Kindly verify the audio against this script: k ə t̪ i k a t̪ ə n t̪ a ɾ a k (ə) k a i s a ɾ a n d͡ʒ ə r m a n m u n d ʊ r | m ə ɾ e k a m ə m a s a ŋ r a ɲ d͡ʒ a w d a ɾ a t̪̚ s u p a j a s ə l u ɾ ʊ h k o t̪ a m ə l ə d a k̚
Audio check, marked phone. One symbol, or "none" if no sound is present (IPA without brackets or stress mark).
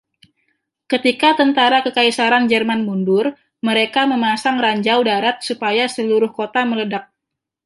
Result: ə